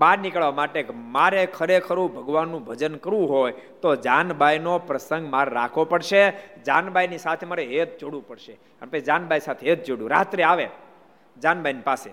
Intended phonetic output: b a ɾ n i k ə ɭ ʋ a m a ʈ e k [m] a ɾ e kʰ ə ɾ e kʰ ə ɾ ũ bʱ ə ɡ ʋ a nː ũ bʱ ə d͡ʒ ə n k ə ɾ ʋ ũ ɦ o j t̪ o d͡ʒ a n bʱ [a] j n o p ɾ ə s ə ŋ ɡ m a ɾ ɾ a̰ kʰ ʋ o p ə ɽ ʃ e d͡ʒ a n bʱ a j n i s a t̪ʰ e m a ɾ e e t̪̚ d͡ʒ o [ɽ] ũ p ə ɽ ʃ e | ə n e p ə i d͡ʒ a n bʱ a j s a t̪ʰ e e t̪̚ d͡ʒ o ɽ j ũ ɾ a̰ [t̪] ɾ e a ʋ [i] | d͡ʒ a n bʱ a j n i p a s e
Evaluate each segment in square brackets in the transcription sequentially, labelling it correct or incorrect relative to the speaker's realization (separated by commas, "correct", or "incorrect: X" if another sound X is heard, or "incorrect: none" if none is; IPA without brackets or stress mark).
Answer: correct, correct, correct, correct, incorrect: e